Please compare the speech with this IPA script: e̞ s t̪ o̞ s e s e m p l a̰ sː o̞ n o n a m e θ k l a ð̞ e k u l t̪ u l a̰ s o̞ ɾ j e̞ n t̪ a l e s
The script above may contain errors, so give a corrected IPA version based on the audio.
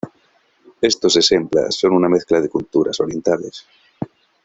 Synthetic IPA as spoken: e̞ s t̪ o̞ s e s e m p l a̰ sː o̞ n u n a m e θ k l a ð̞ e k u l t̪ u ɾ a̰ s o̞ ɾ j e̞ n t̪ a l e s